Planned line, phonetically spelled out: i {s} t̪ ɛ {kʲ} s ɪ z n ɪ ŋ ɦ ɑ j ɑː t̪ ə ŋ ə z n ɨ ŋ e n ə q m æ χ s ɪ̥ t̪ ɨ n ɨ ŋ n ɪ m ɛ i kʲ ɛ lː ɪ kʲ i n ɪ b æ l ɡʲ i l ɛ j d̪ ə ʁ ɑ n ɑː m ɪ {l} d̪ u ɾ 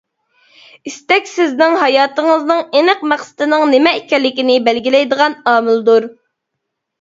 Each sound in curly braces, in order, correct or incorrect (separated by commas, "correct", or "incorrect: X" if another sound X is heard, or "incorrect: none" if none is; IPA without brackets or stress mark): correct, correct, correct